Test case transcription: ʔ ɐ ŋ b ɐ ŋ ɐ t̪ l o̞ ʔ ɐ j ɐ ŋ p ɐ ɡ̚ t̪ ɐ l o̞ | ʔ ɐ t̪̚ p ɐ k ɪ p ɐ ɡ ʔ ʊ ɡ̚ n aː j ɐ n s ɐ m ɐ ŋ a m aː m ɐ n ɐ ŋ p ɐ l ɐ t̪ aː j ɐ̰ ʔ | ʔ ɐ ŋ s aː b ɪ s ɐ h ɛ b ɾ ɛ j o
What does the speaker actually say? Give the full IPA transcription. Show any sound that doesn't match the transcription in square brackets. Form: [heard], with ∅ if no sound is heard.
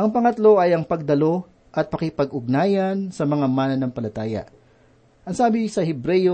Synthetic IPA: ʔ ɐ ŋ [p] ɐ ŋ ɐ t̪ l o̞ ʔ ɐ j ɐ ŋ p ɐ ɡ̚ [d̪] ɐ l o̞ | ʔ ɐ t̪̚ p ɐ k ɪ p ɐ ɡ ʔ ʊ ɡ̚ n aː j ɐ n s ɐ m ɐ ŋ a m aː [n] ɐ n ɐ ŋ p ɐ l ɐ t̪ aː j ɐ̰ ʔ | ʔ ɐ ŋ s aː b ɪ s ɐ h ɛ b ɾ ɛ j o